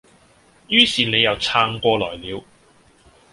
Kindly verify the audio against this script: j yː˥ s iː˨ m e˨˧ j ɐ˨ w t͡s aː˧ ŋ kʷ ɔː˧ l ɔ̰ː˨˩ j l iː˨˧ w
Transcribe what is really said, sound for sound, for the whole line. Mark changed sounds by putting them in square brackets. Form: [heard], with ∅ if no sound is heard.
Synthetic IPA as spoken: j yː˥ s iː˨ [n] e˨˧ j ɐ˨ w [t͡sʰ] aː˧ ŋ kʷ ɔː˧ l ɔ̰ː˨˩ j l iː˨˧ w